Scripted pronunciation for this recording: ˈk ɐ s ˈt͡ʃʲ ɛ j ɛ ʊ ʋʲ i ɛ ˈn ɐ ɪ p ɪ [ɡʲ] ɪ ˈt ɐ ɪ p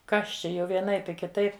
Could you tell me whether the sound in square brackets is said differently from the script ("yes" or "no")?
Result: yes